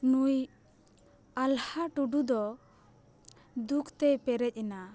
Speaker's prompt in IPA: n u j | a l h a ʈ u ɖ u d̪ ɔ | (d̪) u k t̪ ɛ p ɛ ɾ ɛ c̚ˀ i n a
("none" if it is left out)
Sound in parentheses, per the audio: d̪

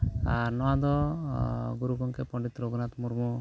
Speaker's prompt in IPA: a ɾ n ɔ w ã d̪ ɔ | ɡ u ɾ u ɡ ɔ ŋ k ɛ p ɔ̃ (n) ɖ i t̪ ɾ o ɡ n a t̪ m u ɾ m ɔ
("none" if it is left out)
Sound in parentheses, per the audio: ɳ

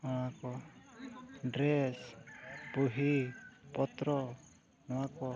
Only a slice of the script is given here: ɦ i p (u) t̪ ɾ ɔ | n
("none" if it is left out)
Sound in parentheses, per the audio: ɔ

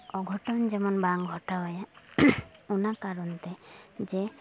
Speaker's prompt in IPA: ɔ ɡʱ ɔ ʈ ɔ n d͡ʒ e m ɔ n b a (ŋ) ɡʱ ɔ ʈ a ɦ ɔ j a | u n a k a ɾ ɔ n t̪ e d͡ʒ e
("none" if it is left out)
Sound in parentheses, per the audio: ŋ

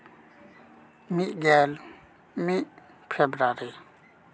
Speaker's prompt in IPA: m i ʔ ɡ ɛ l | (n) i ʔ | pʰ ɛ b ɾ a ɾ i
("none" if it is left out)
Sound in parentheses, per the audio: m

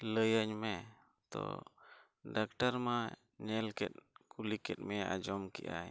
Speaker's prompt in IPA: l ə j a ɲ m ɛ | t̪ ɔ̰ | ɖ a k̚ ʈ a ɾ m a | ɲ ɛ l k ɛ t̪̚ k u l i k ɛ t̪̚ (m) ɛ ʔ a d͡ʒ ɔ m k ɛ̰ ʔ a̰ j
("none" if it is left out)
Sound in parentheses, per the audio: m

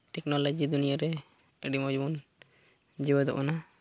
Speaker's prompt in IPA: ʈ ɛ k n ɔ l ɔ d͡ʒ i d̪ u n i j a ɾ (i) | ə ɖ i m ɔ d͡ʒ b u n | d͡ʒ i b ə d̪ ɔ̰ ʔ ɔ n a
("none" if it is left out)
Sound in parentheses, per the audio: ɛ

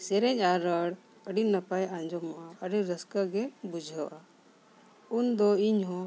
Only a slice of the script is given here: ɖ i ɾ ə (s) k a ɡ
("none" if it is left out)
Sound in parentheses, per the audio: s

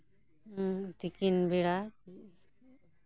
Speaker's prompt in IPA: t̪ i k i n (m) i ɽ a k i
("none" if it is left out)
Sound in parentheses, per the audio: b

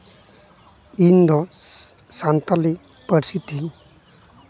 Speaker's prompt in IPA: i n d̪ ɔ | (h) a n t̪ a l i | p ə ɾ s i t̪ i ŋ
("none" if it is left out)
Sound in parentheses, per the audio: s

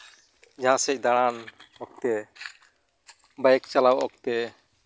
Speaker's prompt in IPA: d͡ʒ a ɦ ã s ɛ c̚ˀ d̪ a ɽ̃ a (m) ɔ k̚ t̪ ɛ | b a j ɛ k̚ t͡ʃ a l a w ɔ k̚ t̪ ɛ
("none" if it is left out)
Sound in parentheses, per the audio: n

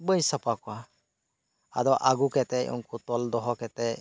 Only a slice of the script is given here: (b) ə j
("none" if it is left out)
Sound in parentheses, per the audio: b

